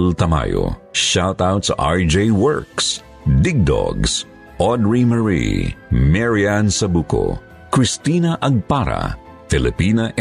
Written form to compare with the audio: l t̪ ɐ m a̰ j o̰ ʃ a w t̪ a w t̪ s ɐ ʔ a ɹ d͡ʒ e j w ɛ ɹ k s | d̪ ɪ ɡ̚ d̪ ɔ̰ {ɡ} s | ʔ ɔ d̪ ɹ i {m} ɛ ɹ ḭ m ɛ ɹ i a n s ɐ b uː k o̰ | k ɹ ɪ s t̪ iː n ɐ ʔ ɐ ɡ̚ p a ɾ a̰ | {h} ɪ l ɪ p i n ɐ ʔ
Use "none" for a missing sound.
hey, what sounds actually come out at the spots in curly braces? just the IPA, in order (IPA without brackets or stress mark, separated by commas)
ɡ, m, f